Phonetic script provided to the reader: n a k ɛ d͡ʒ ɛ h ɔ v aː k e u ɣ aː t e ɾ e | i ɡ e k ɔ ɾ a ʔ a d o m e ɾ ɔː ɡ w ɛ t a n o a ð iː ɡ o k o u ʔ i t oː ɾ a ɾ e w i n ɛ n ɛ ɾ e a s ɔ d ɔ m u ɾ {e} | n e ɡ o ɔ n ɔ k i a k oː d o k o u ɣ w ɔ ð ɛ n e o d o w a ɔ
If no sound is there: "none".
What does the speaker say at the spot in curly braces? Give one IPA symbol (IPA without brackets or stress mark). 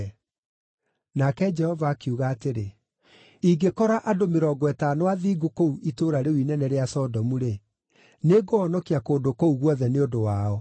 e